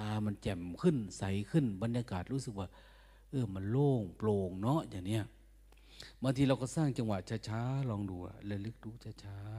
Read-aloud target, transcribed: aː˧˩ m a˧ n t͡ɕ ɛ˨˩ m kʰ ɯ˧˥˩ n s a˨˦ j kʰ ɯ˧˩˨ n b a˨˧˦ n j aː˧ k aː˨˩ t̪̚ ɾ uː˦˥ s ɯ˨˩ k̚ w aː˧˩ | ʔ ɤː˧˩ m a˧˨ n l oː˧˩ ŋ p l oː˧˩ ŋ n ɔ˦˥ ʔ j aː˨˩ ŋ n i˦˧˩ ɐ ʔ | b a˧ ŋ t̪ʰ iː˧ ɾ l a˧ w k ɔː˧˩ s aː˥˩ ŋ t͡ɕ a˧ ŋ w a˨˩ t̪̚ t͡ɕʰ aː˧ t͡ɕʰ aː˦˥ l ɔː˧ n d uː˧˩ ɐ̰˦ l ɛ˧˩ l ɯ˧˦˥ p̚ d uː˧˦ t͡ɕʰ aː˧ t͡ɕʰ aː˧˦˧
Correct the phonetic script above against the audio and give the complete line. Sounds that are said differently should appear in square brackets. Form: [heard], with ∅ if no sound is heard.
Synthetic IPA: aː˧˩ m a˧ n t͡ɕ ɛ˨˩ m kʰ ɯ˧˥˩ n s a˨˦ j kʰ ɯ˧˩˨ n b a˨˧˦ n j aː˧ k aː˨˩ t̪̚ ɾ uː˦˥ s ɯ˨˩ k̚ w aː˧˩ | ʔ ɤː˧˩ m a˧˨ n l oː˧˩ ŋ p l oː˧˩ ŋ n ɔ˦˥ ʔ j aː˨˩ ŋ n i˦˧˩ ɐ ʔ | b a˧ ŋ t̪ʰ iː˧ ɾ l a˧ w k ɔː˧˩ s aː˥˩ ŋ t͡ɕ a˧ ŋ w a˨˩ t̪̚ t͡ɕʰ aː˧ t͡ɕʰ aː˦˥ l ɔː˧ [ŋ] d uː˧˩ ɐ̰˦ l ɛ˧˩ l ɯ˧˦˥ [k̚] d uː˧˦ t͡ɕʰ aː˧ t͡ɕʰ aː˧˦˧